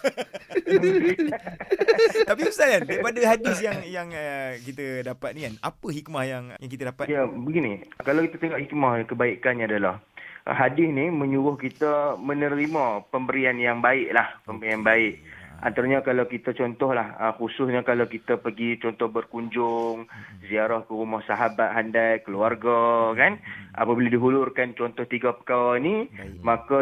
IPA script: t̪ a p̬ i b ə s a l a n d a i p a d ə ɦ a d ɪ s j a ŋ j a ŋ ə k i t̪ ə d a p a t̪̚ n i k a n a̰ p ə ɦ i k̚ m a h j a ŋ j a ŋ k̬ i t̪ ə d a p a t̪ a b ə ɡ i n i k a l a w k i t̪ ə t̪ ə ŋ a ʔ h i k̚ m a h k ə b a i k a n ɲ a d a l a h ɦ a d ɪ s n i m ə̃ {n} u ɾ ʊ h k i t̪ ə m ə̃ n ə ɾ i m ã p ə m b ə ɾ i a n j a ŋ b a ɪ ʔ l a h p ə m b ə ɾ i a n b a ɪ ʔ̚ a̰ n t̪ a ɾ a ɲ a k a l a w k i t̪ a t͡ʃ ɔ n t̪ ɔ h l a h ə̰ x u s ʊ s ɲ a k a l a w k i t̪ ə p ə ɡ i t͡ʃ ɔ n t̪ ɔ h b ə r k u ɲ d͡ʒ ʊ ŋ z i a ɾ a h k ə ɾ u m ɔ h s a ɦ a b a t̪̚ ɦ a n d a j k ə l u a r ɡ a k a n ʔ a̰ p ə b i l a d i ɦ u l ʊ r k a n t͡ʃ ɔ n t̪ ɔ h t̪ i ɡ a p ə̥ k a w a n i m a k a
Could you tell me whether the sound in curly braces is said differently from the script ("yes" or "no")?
yes